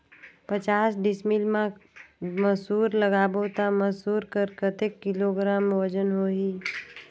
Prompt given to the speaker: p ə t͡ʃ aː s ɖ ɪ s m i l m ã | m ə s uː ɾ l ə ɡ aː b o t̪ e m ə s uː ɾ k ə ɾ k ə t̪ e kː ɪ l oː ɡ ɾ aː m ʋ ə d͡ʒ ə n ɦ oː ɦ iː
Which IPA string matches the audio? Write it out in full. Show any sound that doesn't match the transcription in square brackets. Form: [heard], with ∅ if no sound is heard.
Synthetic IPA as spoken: p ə t͡ʃ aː s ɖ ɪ s m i l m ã | m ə s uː ɾ l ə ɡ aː b o t̪ [a] m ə s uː ɾ k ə ɾ k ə t̪ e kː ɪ l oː ɡ ɾ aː m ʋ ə d͡ʒ ə n ɦ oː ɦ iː